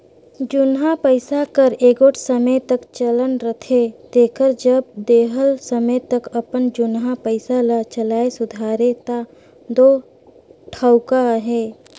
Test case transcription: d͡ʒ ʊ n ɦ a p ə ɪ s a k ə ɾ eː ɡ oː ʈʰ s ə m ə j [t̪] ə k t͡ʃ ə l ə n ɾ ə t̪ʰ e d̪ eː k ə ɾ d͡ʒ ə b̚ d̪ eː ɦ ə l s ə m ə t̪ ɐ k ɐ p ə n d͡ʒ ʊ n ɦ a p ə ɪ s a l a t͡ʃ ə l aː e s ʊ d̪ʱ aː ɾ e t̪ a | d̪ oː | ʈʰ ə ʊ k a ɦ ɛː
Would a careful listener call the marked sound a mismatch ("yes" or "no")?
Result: no